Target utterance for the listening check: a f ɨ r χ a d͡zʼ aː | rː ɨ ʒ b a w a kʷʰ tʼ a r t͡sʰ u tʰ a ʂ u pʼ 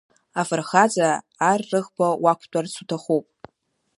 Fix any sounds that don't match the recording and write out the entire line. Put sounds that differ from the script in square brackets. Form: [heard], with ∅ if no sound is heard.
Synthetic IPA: a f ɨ r χ a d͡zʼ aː | rː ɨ [ʁ] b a w a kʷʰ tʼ a r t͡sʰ u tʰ a [χ] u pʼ